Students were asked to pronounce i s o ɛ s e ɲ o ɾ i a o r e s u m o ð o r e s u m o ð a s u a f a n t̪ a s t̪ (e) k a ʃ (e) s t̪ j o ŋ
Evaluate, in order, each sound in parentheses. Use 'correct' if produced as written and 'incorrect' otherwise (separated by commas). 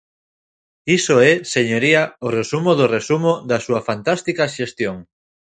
incorrect, correct